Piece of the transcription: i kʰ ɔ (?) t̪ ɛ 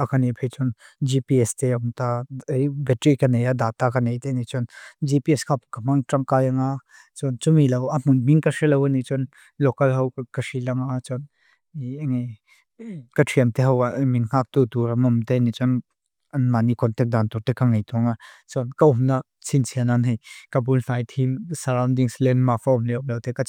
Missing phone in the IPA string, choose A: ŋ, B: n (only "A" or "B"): B